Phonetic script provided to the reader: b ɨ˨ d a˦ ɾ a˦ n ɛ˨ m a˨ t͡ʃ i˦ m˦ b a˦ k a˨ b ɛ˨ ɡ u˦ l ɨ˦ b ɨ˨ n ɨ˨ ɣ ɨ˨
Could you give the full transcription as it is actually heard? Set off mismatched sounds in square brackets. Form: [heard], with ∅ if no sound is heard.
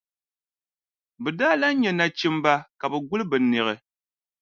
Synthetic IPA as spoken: b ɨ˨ d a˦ [l] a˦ [ɲ] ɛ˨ [n] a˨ t͡ʃ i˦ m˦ b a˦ k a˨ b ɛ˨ ɡ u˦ l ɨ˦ b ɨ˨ n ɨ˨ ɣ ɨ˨